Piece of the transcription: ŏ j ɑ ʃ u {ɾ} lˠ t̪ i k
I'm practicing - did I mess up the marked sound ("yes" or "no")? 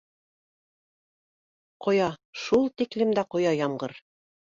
yes